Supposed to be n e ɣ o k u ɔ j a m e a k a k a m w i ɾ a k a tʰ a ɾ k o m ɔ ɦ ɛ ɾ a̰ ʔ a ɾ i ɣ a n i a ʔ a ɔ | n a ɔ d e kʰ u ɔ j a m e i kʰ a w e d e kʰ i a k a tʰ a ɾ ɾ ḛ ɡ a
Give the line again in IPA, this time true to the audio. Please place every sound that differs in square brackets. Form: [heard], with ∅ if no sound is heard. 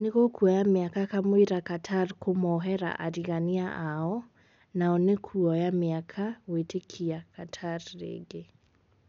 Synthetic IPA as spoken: n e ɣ o k u ɔ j a m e a k a k a m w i ɾ a k a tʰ a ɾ k o m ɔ ɦ ɛ ɾ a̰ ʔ a ɾ i ɣ a n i a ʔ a ɔ | n a ɔ [n] e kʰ u ɔ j a m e [a] kʰ a w e [t] e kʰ i a k a tʰ a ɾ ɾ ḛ ɡ [e]